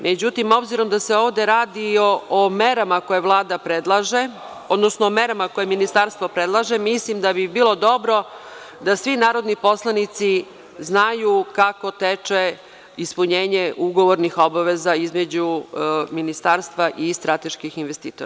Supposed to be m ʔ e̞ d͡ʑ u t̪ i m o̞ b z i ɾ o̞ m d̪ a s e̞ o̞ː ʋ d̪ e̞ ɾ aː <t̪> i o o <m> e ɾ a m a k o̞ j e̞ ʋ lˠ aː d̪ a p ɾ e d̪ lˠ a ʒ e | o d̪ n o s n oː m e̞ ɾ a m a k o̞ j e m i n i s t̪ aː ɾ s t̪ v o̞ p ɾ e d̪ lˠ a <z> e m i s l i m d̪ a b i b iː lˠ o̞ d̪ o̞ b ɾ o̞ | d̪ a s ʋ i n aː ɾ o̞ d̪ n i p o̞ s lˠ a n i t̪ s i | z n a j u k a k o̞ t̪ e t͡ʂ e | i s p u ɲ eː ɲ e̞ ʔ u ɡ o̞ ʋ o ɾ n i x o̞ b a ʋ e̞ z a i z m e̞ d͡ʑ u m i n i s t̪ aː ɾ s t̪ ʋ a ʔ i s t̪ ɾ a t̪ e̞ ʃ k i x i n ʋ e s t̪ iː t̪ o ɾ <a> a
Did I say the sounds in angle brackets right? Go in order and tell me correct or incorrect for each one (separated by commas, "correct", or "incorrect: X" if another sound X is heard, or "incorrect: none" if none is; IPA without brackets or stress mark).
incorrect: d̪, correct, incorrect: ʒ, correct